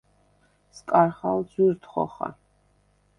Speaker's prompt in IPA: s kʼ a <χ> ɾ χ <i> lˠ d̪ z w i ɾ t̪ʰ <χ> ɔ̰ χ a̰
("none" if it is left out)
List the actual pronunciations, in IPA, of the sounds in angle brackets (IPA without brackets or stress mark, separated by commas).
none, a, χ